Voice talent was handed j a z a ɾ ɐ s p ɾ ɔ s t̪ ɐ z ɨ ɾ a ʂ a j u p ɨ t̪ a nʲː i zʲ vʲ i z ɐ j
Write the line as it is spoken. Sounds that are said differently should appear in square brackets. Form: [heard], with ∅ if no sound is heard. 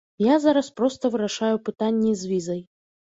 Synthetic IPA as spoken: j a z a ɾ ɐ s p ɾ ɔ s t̪ ɐ [v] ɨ ɾ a ʂ a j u p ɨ t̪ a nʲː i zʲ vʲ i z ɐ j